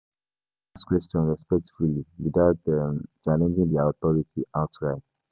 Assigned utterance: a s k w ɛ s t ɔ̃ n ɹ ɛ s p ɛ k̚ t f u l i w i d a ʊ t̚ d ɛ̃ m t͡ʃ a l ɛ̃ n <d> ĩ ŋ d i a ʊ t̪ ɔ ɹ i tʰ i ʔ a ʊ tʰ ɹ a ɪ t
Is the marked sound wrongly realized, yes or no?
yes